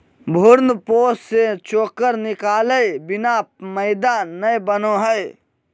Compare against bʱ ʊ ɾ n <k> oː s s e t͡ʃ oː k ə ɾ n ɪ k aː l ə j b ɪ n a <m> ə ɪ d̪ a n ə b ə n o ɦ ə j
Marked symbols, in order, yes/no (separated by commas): no, yes